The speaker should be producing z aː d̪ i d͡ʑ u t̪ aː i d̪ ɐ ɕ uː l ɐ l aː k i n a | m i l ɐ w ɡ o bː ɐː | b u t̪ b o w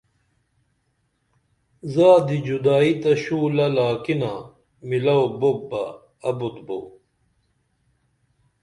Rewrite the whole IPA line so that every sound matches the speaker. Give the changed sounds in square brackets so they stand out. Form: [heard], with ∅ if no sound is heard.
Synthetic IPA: z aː d̪ i d͡ʑ u [d̪] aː i [t̪] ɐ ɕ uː l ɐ l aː k i n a | m i l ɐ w [b] o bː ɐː | b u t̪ b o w